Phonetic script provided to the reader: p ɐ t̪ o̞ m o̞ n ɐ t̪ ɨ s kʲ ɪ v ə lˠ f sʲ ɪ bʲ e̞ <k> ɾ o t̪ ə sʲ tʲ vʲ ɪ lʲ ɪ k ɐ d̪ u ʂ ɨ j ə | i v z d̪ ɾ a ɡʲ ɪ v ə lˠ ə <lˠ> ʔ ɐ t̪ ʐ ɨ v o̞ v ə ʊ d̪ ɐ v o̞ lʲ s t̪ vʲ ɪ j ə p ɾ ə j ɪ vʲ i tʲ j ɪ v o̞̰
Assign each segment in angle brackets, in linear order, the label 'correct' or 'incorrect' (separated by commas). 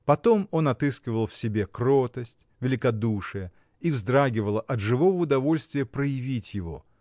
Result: correct, incorrect